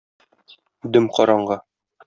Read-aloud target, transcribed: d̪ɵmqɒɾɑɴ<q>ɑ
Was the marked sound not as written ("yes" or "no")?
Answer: yes